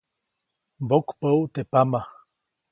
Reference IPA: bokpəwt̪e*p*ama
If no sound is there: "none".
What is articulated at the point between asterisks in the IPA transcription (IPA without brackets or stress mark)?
p